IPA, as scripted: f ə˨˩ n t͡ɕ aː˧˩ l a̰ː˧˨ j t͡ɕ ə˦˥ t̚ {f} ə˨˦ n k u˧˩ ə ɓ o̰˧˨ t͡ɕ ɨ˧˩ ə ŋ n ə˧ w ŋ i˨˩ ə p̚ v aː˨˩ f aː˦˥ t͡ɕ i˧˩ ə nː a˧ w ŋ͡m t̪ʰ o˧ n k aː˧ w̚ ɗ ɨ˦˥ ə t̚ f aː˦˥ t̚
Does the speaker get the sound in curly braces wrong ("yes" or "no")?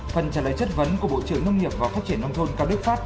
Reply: yes